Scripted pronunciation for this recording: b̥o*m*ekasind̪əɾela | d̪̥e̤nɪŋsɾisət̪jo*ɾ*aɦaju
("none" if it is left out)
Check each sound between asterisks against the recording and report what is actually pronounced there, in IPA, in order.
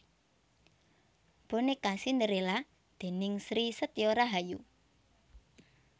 n, ɾ

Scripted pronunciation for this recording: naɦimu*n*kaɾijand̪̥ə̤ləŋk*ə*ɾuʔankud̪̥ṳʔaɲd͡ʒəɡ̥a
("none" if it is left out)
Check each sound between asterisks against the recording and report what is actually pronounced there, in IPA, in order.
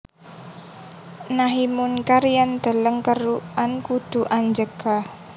n, ə

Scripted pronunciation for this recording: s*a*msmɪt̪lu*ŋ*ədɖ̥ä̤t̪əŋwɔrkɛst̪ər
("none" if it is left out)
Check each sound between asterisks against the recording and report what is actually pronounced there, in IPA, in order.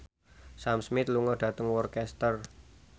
a, ŋ

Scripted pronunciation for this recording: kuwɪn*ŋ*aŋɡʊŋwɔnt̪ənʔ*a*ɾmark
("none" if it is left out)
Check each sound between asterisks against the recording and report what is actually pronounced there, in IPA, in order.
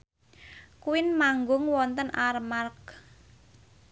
m, a

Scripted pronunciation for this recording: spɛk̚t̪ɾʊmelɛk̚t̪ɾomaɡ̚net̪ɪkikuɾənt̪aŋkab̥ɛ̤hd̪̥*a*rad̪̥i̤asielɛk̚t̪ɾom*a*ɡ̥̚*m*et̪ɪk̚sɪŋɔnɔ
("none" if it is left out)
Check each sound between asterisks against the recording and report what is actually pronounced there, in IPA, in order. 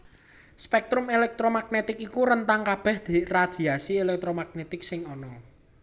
i, a, n

